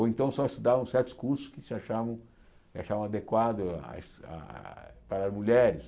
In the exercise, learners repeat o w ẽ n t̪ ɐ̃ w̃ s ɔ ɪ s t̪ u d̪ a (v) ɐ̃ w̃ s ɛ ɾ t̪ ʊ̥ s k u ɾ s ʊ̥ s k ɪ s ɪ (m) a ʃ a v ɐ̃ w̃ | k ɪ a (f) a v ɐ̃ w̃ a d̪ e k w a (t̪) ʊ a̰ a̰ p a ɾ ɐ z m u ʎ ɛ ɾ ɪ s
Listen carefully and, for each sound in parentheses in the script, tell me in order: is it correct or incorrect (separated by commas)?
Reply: correct, incorrect, incorrect, incorrect